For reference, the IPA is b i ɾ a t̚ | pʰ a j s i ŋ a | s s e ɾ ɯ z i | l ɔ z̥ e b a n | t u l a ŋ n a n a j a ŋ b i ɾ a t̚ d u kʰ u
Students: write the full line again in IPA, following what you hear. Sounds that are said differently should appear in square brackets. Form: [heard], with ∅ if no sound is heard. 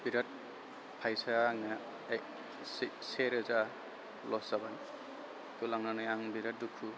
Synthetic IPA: b i ɾ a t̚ | pʰ a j s [a] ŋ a | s s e ɾ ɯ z [a] | l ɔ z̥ [a] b a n | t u l a ŋ n a n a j a ŋ b i ɾ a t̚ d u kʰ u